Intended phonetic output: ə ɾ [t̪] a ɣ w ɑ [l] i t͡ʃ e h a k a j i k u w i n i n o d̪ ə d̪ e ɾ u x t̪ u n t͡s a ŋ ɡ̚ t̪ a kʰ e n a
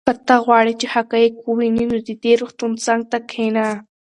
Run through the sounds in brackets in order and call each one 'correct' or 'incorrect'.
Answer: correct, incorrect: ɽ

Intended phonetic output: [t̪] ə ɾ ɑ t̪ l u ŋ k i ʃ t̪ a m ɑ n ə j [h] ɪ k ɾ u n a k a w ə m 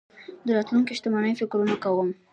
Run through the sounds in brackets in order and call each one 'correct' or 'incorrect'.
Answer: incorrect: d̪, incorrect: f

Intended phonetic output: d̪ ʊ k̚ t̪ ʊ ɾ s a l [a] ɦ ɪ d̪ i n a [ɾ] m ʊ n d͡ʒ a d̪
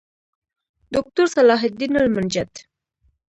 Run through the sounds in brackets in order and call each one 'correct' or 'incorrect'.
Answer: incorrect: ɑ, incorrect: l

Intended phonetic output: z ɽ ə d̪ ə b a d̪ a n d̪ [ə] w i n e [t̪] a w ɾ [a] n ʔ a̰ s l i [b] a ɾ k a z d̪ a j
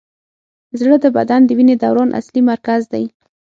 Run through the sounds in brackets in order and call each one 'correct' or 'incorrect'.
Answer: correct, incorrect: d̪, incorrect: ɑ, incorrect: m

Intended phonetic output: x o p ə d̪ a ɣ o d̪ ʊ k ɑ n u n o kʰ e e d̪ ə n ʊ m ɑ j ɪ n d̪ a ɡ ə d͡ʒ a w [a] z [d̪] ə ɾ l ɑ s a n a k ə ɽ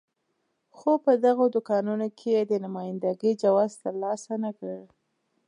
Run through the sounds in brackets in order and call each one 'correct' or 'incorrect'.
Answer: incorrect: ɑ, incorrect: t̪

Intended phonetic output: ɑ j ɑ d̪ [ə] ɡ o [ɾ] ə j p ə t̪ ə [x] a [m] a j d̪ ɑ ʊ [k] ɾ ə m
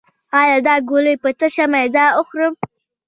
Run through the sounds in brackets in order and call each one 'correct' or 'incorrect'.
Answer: incorrect: ɑ, incorrect: l, incorrect: ʃ, correct, incorrect: x

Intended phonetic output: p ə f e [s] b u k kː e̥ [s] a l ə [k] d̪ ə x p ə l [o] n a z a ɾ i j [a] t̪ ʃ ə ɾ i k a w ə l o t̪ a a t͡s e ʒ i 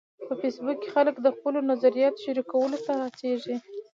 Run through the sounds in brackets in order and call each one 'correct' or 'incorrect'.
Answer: correct, incorrect: x, correct, correct, incorrect: ɑ

